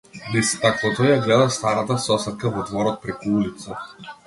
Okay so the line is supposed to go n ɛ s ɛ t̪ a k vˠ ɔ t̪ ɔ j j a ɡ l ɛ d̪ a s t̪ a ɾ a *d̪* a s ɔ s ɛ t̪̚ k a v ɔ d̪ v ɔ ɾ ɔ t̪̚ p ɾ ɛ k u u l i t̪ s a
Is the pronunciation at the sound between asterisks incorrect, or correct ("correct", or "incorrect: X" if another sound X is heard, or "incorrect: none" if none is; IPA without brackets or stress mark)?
incorrect: t̪